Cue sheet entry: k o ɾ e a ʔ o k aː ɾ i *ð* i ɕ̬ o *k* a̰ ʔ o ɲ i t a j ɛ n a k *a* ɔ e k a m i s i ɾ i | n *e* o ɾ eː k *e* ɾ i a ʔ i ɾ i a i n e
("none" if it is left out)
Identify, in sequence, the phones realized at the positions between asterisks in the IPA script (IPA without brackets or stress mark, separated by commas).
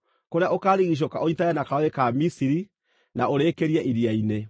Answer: ɣ, k, a, a, e